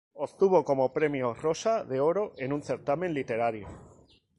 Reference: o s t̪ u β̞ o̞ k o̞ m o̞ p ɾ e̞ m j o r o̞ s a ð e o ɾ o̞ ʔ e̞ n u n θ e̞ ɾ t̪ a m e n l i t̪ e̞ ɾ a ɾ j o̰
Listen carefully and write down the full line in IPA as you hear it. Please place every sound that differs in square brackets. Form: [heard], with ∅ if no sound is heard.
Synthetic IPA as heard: o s t̪ u β̞ o̞ k o̞ m o̞ p ɾ e̞ m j o r o̞ s a ð e o ɾ o̞ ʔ e̞ n u n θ e̞ ɾ t̪ a m e n l i t̪ e̞ ɾ a ɾ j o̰